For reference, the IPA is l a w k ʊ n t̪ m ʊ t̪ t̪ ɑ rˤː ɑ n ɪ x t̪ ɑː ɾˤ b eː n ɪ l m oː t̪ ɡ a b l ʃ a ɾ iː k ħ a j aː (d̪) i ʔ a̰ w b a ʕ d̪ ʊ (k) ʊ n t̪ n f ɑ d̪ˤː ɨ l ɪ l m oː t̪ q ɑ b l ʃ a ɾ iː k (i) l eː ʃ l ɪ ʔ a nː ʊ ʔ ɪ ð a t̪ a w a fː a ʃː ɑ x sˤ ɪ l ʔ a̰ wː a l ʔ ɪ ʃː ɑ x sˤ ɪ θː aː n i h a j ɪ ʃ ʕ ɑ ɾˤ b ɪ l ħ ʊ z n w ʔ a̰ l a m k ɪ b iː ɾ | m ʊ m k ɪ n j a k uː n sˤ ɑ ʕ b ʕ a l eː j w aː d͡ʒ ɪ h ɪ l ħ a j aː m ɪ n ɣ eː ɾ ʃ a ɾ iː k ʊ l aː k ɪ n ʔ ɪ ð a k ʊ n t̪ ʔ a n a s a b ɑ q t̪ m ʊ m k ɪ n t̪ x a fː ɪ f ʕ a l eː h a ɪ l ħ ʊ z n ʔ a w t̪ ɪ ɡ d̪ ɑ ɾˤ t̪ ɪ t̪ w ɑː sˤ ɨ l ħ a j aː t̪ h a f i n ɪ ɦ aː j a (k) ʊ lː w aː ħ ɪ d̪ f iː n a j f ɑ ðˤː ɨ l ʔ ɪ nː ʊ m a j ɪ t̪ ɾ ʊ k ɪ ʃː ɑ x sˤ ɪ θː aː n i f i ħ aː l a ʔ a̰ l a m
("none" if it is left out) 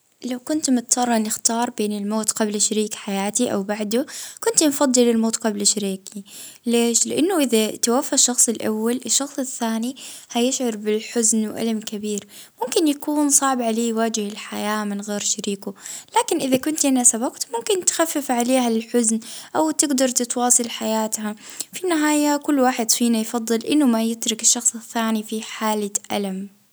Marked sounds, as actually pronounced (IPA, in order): t̪, k, i, k

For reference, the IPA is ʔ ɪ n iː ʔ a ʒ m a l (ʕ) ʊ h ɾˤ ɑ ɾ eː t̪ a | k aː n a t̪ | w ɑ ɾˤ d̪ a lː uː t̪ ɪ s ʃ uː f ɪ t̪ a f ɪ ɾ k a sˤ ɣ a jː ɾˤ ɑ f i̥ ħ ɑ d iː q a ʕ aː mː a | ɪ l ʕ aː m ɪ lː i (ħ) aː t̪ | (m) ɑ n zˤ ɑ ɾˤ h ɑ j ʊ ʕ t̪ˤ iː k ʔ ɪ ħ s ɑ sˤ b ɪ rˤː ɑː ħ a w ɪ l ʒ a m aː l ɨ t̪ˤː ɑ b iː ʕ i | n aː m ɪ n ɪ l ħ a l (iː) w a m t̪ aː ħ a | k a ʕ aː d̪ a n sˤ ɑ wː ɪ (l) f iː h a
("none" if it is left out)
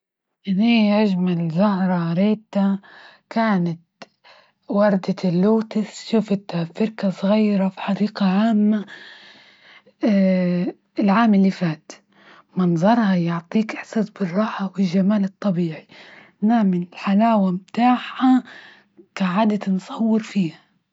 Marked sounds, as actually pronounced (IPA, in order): z, f, m, aː, ɾ

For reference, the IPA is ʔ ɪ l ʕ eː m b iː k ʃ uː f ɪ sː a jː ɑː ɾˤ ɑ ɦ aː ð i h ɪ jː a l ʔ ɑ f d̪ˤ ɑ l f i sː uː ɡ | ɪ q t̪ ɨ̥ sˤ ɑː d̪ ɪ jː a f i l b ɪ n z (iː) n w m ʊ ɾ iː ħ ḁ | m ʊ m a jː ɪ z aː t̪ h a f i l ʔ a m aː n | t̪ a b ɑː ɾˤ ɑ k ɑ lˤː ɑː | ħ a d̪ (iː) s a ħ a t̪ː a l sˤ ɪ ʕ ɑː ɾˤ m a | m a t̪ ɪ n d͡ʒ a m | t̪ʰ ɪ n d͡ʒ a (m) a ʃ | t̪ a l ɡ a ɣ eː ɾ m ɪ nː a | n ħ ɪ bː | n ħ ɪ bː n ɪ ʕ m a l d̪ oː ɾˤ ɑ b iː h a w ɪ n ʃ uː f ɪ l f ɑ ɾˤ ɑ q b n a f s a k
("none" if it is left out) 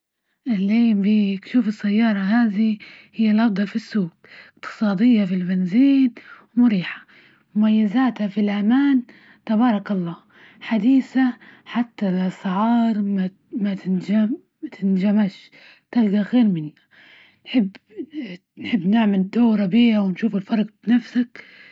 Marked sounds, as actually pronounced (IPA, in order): iː, iː, m

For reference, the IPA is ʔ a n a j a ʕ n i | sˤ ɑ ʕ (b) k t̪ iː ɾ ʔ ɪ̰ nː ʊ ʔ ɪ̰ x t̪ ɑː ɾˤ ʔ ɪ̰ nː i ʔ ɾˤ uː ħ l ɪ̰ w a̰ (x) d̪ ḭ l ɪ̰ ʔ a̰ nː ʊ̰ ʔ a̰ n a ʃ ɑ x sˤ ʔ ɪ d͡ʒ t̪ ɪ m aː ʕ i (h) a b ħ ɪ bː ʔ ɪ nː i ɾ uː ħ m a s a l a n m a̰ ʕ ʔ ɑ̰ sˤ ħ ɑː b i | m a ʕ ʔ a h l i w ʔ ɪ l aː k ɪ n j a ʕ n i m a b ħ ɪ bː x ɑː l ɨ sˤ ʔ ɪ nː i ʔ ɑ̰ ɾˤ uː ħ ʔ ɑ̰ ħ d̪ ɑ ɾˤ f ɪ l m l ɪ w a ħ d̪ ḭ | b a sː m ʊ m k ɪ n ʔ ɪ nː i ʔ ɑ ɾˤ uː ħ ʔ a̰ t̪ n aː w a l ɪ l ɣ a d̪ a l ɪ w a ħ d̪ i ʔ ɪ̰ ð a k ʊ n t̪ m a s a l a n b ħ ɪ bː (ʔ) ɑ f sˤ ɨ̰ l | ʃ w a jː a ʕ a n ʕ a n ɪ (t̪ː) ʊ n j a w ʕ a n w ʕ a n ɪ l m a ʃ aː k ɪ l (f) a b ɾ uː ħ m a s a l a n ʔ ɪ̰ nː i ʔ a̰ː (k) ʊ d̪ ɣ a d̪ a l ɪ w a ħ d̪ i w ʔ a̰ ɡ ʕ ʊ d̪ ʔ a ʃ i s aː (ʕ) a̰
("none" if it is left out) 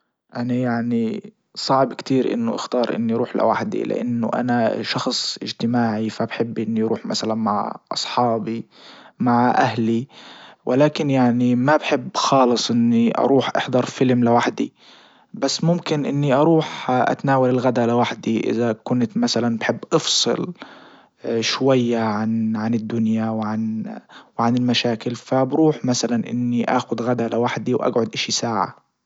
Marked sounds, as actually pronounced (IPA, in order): b, ħ, f, ʔ, d̪ː, f, x, ʕ

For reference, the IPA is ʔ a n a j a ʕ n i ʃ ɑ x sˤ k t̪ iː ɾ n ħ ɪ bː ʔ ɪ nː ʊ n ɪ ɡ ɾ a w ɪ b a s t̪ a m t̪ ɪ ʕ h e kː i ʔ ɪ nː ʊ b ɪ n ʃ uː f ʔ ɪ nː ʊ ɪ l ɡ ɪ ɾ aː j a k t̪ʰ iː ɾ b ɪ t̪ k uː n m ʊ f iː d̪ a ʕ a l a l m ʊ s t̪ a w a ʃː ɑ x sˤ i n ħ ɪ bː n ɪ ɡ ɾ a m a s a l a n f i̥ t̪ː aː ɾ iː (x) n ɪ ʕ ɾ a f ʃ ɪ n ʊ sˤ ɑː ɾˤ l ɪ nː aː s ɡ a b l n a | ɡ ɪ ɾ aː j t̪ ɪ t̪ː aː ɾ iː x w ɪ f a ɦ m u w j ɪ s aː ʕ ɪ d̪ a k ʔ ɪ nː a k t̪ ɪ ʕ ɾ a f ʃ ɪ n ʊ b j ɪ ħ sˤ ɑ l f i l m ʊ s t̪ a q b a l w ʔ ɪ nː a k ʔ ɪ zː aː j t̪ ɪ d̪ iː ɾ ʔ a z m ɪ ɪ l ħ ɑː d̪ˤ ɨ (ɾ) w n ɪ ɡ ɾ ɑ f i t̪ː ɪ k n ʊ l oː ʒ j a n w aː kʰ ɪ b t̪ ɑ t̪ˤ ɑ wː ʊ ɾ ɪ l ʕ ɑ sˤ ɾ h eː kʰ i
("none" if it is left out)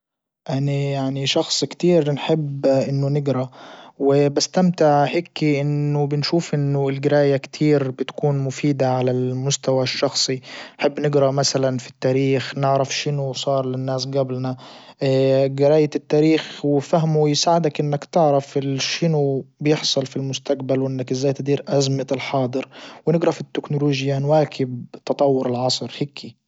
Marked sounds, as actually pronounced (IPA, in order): x, ɾ

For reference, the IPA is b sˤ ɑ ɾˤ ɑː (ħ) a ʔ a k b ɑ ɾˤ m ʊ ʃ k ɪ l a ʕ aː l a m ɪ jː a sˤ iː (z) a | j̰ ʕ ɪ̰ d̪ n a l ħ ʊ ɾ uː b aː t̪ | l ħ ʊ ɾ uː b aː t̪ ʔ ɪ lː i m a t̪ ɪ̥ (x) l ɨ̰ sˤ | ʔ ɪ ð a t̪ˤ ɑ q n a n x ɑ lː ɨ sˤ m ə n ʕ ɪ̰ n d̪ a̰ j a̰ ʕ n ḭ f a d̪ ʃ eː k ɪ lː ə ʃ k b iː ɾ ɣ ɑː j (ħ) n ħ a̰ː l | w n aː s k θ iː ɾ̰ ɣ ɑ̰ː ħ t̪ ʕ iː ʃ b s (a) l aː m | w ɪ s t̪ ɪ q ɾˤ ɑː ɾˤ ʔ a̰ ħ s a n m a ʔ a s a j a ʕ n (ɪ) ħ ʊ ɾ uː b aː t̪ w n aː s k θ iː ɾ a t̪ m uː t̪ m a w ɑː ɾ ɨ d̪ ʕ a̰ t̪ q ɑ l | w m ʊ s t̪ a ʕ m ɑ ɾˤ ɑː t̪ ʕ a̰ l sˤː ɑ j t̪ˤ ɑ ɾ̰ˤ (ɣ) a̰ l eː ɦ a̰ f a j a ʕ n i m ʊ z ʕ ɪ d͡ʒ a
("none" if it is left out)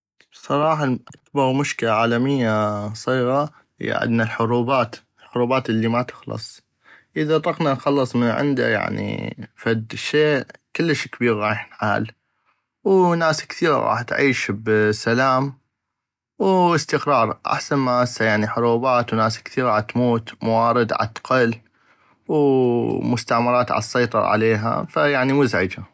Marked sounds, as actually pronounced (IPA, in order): ħ, ɣ, x, ħ, a, i, ʕ

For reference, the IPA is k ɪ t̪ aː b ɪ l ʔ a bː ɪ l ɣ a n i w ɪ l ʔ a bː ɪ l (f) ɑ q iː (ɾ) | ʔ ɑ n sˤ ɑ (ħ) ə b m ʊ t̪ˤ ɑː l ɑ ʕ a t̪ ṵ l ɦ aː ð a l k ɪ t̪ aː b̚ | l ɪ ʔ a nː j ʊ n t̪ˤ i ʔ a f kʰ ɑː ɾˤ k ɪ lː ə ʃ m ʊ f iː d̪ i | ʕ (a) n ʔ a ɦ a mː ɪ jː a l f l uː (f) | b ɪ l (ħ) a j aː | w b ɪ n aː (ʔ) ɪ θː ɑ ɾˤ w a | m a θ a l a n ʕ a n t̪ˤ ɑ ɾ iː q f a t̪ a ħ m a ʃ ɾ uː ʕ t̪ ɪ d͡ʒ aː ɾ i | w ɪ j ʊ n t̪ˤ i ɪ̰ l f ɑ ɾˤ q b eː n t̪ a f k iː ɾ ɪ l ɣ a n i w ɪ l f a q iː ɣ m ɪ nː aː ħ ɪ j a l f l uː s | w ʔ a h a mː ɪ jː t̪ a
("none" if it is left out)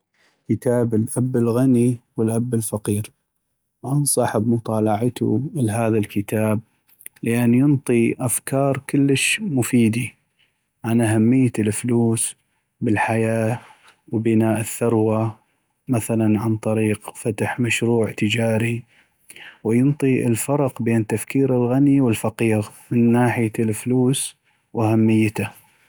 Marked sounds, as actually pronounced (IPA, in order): f, ɾ, ħ, a, s, ħ, ʔ

